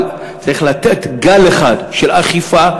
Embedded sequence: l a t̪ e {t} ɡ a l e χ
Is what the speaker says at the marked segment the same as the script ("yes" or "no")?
yes